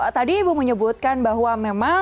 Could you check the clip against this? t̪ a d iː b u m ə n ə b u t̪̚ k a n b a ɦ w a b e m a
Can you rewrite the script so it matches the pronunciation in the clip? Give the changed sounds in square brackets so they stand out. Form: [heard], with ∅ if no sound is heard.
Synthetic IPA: t̪ a d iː b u m ə [ɲ] ə b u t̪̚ k a n b a ɦ w a [m] e m a